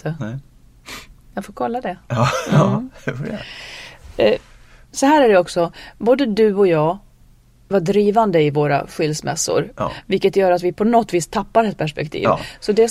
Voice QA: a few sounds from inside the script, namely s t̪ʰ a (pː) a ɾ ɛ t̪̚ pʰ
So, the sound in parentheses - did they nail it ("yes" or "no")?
yes